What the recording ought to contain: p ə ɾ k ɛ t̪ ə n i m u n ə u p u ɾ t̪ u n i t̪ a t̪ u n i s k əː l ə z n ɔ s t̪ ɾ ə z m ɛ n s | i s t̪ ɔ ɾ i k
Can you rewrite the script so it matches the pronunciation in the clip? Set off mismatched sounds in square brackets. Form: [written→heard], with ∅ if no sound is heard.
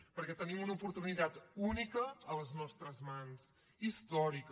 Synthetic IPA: p ə ɾ k ɛ t̪ ə n i m u n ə u p u ɾ t̪ u n i t̪ a t̪ u n i [s→∅] k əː l ə z n ɔ s t̪ ɾ ə z m [ɛ→a] n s | i s t̪ ɔ ɾ i k

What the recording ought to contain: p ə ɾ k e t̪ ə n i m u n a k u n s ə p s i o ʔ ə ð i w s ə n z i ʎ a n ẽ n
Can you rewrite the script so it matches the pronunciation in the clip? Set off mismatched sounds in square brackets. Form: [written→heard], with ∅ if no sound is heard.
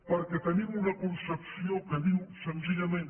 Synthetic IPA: p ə ɾ k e t̪ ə n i m u n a k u n s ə p s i o [ʔ→k] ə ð i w s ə n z i ʎ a [n→m] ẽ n

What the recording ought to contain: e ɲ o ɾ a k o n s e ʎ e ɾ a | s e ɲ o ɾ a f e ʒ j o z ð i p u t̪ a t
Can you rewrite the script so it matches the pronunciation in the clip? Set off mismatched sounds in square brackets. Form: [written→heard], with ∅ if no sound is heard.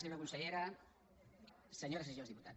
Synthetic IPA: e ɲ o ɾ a k [o→u] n s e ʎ e ɾ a | s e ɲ o ɾ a [f→s] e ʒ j o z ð i p u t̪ a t

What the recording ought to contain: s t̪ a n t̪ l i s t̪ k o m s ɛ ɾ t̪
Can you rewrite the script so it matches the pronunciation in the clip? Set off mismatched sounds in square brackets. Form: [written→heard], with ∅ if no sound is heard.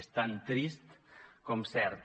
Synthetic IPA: s t̪ a n t̪ [l→ɾ] i s t̪ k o m s ɛ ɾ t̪

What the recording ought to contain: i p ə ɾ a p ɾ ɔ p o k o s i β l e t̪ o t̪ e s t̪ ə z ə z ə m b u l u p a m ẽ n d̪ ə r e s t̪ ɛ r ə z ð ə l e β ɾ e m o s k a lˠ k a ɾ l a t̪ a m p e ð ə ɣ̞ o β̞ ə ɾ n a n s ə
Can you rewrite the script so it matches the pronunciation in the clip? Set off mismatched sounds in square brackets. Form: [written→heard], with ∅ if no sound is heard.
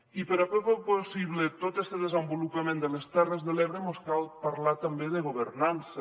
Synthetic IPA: i p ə ɾ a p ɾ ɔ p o [k→p] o s i β l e t̪ o t̪ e s t̪ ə [z→ð] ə z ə m b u l u p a m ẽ n d̪ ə [r→l] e s t̪ ɛ r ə z ð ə l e β ɾ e m o s k a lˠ [k→p] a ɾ l a t̪ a m [p→b] e ð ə ɣ̞ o β̞ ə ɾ n a n s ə

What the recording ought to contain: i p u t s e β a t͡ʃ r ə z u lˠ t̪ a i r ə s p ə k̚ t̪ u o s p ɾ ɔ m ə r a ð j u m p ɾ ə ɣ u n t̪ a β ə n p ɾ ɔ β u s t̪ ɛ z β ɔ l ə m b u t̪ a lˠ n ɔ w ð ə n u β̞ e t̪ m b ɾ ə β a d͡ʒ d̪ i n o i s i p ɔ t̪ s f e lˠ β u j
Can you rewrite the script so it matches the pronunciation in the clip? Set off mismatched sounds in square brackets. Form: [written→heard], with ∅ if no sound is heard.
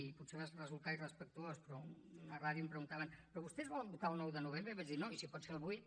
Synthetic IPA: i p u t s e β a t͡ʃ r ə z u lˠ t̪ a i r ə s p ə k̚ t̪ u o s p ɾ ɔ [m→n] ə r a ð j u m p ɾ ə ɣ u n t̪ a β ə n p ɾ ɔ β u s t̪ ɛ z β ɔ l ə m b u t̪ a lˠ n ɔ w ð ə n u β̞ e [t̪→∅] m b ɾ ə β a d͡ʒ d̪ i n o i s i p ɔ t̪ s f e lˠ β u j

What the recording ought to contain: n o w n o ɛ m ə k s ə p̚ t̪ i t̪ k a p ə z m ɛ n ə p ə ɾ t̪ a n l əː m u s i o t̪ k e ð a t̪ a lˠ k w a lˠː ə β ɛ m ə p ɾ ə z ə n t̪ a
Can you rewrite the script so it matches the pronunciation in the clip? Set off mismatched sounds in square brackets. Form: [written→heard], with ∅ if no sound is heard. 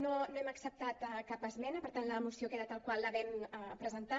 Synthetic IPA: n o [w→∅] n o ɛ m ə k s ə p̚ t̪ [i→a] t̪ k a p ə z m ɛ n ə p ə ɾ t̪ a n l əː m u s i o [t̪→∅] k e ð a t̪ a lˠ k w a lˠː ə β ɛ m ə p ɾ ə z ə n t̪ a

